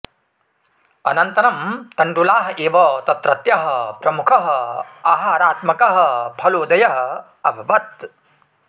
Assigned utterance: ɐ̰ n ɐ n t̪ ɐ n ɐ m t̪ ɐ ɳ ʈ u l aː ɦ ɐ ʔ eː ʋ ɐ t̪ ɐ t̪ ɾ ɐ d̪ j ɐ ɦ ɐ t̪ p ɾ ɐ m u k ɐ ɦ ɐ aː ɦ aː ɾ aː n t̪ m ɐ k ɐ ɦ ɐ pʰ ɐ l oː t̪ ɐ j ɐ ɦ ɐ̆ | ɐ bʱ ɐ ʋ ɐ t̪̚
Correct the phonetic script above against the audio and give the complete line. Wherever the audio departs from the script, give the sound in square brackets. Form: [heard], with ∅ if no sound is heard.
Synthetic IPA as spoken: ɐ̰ n ɐ n t̪ ɐ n ɐ m t̪ ɐ ɳ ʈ u l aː ɦ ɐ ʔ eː ʋ ɐ t̪ ɐ t̪ ɾ ɐ [t̪] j ɐ ɦ ɐ [∅] p ɾ ɐ m u [kʰ] ɐ ɦ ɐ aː ɦ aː ɾ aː [∅] t̪ m ɐ k ɐ ɦ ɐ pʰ ɐ l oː [d̪] ɐ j ɐ ɦ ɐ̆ | ɐ bʱ ɐ ʋ ɐ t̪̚